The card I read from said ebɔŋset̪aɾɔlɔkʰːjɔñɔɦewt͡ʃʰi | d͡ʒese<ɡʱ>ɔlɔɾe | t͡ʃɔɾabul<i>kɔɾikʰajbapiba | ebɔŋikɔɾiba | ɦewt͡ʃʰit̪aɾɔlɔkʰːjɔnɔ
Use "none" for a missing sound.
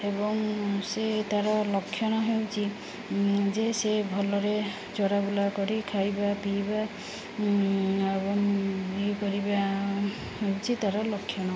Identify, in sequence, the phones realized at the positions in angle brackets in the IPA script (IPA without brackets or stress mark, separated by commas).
bʱ, a